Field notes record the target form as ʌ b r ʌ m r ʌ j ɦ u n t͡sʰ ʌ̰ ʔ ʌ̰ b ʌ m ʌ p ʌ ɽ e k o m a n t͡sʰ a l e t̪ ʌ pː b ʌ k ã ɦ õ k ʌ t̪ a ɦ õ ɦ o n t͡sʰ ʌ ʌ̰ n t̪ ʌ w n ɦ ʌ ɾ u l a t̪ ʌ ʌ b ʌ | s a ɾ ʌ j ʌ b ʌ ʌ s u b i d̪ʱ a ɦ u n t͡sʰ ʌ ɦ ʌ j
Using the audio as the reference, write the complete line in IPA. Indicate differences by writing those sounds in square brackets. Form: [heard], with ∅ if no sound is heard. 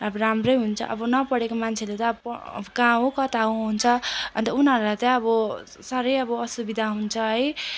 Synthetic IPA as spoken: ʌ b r [a] m r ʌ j ɦ u n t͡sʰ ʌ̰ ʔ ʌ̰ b ʌ [n] ʌ p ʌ ɽ e k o m a n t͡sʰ [e] l e t̪ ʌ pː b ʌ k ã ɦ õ k ʌ t̪ a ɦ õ ɦ [u] n t͡sʰ ʌ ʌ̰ n t̪ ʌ [u] n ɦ ʌ ɾ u l a t̪ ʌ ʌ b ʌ | s a ɾ ʌ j ʌ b ʌ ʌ s u b i d̪ʱ a ɦ u n t͡sʰ ʌ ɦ ʌ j